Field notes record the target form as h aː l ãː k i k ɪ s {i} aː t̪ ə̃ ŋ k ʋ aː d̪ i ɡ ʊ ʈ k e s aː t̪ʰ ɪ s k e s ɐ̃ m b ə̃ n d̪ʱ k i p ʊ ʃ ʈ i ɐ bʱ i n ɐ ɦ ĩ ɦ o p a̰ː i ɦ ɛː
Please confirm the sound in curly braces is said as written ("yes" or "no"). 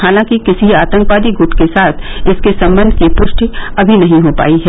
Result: yes